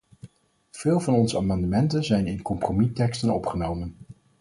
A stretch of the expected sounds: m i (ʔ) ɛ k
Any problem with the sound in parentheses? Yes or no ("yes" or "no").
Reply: yes